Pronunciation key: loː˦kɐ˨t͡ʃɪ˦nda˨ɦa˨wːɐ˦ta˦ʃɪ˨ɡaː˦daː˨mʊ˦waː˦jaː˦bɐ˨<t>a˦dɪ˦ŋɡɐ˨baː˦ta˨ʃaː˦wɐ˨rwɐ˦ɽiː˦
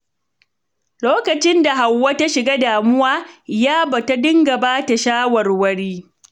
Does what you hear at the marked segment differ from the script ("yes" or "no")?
no